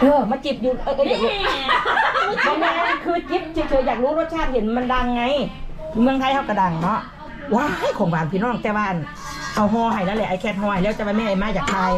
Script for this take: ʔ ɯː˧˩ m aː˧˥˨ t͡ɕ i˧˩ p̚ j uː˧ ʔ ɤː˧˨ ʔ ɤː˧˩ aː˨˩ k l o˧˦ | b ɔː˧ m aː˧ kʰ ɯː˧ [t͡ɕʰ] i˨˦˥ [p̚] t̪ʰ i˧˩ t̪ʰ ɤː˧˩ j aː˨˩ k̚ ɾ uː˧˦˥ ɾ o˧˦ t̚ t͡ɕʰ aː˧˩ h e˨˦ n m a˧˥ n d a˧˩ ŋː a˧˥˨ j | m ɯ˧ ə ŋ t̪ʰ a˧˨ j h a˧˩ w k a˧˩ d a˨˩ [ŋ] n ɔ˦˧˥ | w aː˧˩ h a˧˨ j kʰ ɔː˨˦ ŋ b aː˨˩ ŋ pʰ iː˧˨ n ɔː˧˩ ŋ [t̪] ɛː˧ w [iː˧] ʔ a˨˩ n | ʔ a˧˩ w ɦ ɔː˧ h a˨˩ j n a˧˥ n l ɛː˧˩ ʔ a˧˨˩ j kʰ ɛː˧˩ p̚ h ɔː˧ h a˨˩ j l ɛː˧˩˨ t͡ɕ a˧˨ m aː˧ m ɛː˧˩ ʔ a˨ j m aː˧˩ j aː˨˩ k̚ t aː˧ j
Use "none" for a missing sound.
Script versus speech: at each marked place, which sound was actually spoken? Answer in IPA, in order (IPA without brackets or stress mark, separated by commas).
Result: t͡ɕ, p̚, ŋ, t̪, aː˧